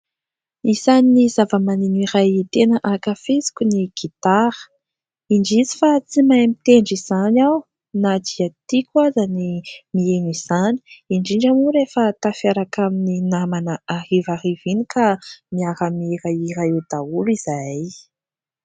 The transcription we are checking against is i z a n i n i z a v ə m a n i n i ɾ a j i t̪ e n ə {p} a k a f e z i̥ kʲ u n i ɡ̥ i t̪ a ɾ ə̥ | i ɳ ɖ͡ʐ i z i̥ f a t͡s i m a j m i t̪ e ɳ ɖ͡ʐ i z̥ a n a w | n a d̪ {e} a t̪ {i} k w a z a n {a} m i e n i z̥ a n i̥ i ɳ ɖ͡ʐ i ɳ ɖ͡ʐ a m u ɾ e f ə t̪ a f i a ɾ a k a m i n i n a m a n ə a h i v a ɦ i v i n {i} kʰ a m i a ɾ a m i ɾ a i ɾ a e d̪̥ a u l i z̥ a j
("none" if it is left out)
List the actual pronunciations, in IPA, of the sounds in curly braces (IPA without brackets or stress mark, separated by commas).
ʔ, i, i, i, i